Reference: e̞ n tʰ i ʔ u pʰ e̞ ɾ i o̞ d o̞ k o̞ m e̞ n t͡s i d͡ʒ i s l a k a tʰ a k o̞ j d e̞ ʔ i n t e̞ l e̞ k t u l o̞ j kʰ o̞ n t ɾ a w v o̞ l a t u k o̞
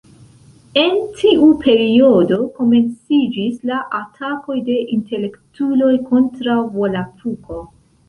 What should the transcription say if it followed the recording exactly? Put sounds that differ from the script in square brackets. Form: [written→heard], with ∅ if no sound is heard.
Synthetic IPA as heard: e̞ n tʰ i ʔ u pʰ e̞ ɾ i o̞ d o̞ k o̞ m e̞ n t͡s i d͡ʒ i s l a [k→ʔ] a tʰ a k o̞ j d e̞ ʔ i n t e̞ l e̞ k t u l o̞ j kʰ o̞ n t ɾ a w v o̞ l a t u k o̞

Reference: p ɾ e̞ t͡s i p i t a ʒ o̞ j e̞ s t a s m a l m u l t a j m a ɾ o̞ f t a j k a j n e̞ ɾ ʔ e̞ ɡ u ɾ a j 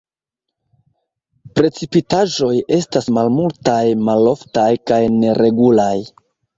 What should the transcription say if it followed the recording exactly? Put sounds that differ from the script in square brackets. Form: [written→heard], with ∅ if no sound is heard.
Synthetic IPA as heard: p ɾ e̞ t͡s i p i t a ʒ o̞ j e̞ s t a s m a l m u l t a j m a [ɾ→l] o̞ f t a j k a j n e̞ ɾ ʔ e̞ ɡ u [ɾ→l] a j

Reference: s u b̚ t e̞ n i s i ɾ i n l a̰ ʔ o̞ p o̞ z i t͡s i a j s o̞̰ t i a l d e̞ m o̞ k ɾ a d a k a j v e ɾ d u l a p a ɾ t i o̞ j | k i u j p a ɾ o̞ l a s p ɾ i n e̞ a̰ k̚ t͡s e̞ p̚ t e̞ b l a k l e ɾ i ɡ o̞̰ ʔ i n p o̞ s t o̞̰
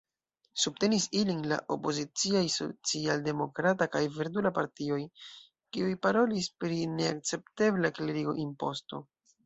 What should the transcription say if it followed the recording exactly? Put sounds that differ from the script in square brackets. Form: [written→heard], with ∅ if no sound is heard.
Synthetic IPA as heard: s u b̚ t e̞ n i s i [ɾ→l] i n l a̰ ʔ o̞ p o̞ z i t͡s i a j s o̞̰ [t→t͡s] i a l d e̞ m o̞ k ɾ a [d→t] a k a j v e ɾ d u l a p a ɾ t i o̞ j | k i u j p a ɾ o̞ l [a→i] s p ɾ i n e̞ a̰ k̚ t͡s e̞ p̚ t e̞ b l a k l e ɾ i ɡ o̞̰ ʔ i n p o̞ s t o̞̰

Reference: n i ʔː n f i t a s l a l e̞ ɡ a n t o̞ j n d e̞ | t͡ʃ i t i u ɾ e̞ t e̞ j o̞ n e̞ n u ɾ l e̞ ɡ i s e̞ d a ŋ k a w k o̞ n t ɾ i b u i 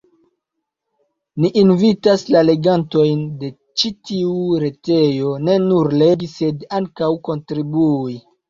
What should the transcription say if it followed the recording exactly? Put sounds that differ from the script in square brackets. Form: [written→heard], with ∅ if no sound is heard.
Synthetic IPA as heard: n i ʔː n [f→v] i t a s l a l e̞ ɡ a n t o̞ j n d e̞ | t͡ʃ i t i u ɾ e̞ t e̞ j o̞ n e̞ n u ɾ l e̞ ɡ i s e̞ d a ŋ k a w k o̞ n t ɾ i b u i

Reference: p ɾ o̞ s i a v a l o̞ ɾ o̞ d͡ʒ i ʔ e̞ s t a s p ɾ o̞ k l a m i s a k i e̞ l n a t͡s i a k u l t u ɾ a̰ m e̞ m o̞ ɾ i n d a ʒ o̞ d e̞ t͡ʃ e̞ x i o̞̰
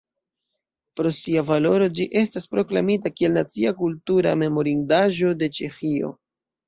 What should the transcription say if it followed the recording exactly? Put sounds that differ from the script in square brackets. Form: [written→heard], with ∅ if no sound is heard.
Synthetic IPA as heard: p ɾ o̞ s i a v a l o̞ ɾ o̞ d͡ʒ i ʔ e̞ s t a s p ɾ o̞ k l a m i [s→t] a k i e̞ l n a t͡s i a k u l t u ɾ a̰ m e̞ m o̞ ɾ i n d a ʒ o̞ d e̞ t͡ʃ e̞ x i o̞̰

